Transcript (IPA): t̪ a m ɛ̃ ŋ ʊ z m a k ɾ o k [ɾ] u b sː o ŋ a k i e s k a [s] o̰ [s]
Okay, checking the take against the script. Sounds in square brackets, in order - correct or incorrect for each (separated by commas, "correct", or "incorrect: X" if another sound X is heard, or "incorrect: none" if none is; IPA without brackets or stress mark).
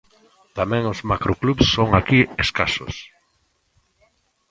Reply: incorrect: l, correct, correct